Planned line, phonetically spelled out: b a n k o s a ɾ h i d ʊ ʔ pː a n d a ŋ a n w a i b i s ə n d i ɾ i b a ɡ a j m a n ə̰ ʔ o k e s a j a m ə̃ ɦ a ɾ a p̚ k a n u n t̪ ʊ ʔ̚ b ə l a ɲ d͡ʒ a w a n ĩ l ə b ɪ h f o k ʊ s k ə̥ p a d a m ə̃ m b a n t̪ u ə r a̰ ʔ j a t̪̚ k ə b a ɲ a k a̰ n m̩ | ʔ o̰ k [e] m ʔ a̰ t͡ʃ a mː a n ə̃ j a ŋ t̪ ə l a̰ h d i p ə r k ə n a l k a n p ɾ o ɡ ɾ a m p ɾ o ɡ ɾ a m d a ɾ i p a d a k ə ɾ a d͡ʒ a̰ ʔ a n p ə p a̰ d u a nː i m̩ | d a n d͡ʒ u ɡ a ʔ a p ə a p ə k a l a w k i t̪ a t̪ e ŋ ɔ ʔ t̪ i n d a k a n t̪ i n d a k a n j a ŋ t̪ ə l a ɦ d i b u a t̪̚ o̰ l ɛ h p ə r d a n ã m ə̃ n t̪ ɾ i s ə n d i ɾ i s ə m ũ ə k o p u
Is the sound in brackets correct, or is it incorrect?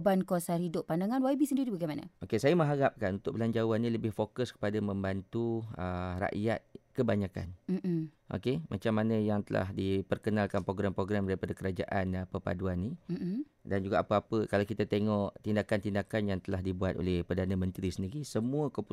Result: correct